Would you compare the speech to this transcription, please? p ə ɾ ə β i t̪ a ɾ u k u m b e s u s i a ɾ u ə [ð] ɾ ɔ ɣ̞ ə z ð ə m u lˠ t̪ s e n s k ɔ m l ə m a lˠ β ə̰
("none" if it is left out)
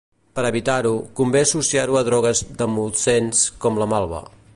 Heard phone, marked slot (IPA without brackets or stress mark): ð